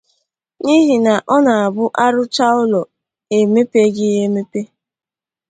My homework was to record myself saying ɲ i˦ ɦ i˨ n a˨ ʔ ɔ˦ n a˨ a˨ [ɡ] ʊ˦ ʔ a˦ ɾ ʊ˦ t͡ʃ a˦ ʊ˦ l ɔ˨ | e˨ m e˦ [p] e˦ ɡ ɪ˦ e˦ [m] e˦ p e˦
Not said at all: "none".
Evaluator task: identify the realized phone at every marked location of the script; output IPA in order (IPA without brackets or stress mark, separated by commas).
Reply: b, p, m